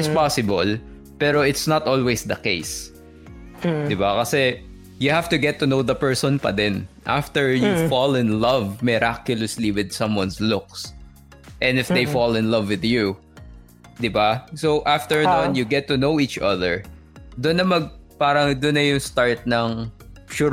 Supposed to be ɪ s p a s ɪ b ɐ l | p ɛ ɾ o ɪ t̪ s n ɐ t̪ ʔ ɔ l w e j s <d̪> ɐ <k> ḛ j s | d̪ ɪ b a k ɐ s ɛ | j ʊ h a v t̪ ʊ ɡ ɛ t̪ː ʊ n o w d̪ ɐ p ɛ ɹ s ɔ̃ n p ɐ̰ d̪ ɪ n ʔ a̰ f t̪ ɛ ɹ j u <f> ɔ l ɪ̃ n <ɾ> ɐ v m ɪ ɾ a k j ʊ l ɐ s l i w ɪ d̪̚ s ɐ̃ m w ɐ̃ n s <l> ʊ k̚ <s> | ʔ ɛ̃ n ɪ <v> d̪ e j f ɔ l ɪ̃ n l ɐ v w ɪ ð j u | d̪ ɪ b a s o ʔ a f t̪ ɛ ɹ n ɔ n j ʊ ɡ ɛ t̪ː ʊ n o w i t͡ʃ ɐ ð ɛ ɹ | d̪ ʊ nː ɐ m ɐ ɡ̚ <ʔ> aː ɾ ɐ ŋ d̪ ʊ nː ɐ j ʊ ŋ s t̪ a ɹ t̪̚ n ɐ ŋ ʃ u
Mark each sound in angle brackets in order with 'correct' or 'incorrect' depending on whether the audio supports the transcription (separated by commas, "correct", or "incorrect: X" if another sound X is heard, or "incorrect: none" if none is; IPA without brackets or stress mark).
correct, correct, correct, incorrect: l, correct, correct, incorrect: f, incorrect: p